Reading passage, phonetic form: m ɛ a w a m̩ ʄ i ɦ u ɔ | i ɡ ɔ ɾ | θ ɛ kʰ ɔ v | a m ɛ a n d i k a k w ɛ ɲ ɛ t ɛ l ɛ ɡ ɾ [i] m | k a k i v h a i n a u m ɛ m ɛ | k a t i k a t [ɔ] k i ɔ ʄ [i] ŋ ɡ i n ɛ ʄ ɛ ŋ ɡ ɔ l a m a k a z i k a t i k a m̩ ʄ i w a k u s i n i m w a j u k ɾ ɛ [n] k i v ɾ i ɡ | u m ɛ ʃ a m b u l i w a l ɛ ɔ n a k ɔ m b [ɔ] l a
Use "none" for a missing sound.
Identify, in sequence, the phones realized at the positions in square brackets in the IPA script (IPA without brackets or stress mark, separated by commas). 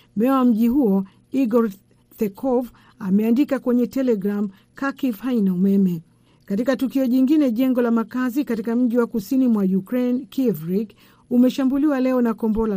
a, u, i, n, ɔ